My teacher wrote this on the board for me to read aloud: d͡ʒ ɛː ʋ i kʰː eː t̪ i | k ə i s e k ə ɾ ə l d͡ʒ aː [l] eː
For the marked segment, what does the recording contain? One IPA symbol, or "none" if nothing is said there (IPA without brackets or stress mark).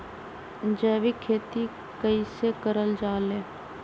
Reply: l